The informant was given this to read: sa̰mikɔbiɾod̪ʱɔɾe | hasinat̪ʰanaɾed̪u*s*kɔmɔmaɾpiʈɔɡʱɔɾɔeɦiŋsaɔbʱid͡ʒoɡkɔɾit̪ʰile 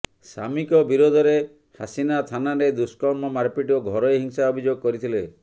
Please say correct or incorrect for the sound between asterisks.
correct